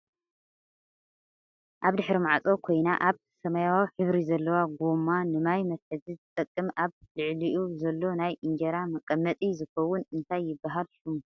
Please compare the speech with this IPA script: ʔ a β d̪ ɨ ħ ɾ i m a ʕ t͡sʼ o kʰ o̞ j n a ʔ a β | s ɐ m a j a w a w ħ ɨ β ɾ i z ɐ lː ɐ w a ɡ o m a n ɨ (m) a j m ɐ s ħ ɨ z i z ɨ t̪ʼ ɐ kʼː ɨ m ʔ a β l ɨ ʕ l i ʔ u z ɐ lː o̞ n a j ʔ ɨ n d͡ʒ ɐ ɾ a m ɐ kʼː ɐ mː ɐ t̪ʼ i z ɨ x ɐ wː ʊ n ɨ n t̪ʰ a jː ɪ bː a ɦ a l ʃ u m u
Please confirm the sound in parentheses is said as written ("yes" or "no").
yes